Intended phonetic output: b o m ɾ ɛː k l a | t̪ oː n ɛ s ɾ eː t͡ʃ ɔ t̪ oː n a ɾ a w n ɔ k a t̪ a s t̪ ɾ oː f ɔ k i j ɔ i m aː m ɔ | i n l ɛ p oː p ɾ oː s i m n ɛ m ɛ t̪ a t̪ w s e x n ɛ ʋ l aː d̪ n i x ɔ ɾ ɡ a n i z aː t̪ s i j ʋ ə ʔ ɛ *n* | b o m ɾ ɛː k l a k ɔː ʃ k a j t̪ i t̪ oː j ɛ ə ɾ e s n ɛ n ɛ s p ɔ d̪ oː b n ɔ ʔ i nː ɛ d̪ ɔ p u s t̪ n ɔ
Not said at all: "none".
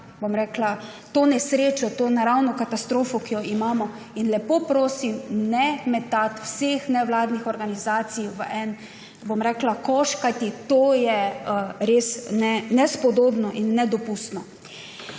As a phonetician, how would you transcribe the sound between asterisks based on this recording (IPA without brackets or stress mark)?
n